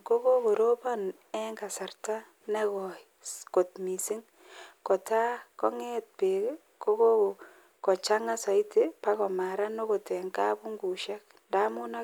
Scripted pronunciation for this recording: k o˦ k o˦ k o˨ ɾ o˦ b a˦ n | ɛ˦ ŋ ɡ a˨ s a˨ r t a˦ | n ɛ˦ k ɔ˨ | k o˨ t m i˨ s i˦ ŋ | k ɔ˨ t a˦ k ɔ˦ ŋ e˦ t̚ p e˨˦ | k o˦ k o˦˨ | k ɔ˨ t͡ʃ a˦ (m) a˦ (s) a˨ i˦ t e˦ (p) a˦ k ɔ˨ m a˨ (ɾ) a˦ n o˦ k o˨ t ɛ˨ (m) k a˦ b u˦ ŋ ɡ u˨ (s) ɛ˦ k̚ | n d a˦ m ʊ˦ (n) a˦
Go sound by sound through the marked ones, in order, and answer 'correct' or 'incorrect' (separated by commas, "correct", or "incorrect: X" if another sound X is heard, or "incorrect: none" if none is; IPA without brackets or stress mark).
incorrect: ŋ, correct, correct, correct, incorrect: ŋ, incorrect: ʃ, correct